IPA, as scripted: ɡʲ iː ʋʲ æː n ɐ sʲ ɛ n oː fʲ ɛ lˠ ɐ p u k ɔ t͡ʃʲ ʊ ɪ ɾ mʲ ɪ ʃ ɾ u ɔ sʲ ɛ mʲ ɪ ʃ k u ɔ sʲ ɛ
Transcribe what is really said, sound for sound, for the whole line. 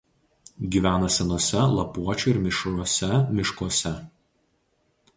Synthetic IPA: ɡʲ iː ʋʲ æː n ɐ sʲ ɛ n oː sʲ ɛ lˠ ɐ p u ɔ t͡ʃʲ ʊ ɪ ɾ mʲ ɪ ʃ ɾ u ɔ sʲ ɛ mʲ ɪ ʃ k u ɔ sʲ ɛ